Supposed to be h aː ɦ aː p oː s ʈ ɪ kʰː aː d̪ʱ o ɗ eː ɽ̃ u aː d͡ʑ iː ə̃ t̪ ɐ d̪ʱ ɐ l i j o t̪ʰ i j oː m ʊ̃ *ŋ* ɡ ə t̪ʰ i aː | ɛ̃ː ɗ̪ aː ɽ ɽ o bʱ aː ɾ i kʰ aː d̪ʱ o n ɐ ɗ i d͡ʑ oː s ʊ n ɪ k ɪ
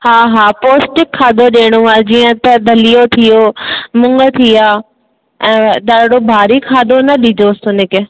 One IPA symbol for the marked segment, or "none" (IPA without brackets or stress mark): ŋ